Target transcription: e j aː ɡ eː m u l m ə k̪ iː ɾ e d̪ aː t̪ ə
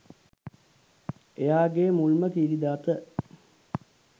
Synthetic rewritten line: e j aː ɡ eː m u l m ə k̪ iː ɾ i d̪ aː t̪ ə